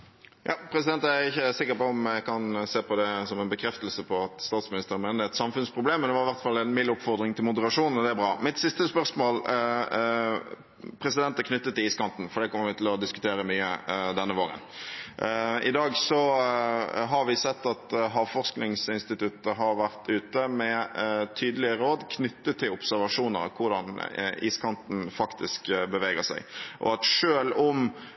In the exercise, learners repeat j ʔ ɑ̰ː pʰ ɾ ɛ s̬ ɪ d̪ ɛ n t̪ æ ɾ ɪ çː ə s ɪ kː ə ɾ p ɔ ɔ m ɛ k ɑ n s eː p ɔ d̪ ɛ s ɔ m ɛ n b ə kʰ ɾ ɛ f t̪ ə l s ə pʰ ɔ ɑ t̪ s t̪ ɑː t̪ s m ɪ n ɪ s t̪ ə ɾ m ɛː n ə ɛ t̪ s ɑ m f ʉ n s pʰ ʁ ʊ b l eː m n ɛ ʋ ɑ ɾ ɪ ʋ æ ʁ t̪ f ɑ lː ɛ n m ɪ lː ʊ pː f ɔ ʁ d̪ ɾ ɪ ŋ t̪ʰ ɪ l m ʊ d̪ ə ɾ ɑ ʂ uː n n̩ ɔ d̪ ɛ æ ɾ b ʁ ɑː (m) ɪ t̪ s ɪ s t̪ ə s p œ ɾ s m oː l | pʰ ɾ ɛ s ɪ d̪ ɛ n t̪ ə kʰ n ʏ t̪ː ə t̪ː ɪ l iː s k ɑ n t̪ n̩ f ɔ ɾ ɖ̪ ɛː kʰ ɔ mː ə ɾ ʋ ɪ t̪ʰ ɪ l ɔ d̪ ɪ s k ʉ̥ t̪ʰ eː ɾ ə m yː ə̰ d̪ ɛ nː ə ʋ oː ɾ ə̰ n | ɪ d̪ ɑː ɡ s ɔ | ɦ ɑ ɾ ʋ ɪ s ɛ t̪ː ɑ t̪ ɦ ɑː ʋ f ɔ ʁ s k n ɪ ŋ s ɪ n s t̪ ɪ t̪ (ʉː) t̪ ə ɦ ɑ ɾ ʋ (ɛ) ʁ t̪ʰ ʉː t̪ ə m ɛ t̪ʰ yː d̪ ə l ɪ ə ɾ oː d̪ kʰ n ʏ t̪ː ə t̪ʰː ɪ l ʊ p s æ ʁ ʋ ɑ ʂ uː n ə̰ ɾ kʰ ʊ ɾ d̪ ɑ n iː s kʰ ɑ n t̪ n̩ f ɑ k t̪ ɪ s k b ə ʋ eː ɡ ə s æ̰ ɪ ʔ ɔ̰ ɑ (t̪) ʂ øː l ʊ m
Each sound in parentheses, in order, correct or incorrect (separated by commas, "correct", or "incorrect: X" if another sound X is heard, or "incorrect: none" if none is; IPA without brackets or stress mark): correct, incorrect: ʉ, incorrect: æ, correct